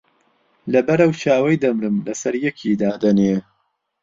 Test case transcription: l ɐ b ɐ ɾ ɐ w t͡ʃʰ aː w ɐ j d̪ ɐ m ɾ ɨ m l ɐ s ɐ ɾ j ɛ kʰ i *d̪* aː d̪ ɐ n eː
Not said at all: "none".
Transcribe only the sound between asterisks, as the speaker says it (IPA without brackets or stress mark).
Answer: d̪